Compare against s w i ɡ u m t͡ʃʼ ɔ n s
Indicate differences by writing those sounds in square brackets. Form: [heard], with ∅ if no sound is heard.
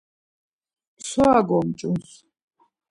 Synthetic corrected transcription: s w [a] ɡ [ɔ] m t͡ʃʼ [u] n s

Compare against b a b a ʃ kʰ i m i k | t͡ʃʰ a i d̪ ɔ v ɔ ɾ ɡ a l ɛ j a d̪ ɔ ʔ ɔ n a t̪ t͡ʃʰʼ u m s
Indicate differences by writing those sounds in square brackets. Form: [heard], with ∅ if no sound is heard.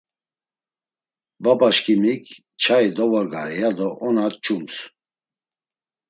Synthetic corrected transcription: b a b a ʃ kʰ i m i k | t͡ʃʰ a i d̪ ɔ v ɔ ɾ ɡ a [ɾ] ɛ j a d̪ ɔ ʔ ɔ n a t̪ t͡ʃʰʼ u m s

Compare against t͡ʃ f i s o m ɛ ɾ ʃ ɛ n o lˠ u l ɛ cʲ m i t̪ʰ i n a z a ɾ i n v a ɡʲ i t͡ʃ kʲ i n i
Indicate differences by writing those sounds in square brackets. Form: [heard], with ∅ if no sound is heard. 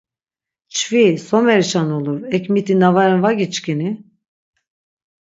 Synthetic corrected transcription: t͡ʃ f i s o m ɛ ɾ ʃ [a] n o lˠ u [ɾ] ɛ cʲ m i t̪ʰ i n a [v] a ɾ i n v a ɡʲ i t͡ʃ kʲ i n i

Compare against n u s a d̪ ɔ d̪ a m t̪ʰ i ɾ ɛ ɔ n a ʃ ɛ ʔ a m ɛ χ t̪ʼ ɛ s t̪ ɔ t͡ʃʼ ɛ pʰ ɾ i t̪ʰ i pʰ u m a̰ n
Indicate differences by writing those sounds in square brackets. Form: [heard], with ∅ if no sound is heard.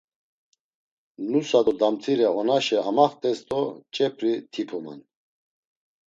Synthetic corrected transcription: n u s a d̪ ɔ d̪ a m t̪ʰ i ɾ ɛ ɔ n a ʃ ɛ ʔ a m [a] χ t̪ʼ ɛ s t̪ ɔ t͡ʃʼ ɛ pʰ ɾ i t̪ʰ i pʰ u m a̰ n

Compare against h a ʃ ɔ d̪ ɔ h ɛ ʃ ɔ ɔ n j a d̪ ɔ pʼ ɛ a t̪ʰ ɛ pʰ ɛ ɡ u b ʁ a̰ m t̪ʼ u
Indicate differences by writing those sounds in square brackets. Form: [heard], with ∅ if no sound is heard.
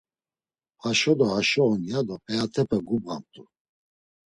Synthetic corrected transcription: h a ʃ ɔ d̪ ɔ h [a] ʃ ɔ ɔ n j a d̪ ɔ pʼ ɛ a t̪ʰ ɛ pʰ ɛ ɡ u b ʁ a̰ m t̪ʼ u

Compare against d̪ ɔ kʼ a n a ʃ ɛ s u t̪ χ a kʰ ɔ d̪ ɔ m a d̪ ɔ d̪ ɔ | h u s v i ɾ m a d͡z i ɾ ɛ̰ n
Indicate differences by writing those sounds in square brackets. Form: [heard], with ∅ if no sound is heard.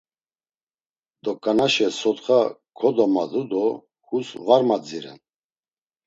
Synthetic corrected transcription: d̪ ɔ kʼ a n a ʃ ɛ s [ɔ] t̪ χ a kʰ ɔ d̪ ɔ m a d̪ [u] d̪ ɔ | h u s v [a] ɾ m a d͡z i ɾ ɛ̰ n

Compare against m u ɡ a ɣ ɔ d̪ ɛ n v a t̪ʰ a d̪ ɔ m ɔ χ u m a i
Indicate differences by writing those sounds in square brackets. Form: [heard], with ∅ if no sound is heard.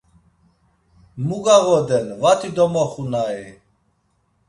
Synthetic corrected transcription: m u ɡ a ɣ ɔ d̪ ɛ n v a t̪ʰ [i] d̪ ɔ m ɔ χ u [n] a i

